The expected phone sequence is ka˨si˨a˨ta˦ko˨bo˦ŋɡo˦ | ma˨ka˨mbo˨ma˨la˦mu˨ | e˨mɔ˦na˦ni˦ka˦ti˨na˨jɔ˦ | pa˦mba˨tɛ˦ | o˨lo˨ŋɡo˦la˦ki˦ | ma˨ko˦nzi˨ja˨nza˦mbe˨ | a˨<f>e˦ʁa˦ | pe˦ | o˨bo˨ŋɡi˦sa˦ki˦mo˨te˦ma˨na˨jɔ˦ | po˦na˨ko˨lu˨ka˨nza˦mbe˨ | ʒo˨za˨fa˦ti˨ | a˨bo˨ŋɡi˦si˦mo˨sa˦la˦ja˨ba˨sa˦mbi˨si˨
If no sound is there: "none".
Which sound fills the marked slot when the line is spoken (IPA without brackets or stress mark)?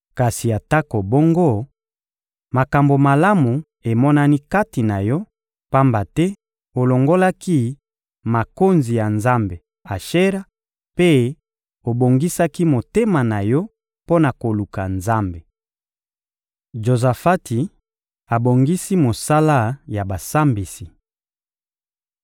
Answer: ʃ